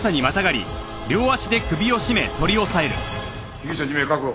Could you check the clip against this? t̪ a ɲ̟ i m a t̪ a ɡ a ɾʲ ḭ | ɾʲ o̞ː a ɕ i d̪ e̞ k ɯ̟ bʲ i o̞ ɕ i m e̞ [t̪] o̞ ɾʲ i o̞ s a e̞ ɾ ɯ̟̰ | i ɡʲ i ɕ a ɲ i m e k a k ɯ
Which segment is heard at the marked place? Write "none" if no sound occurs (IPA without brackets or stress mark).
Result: t̪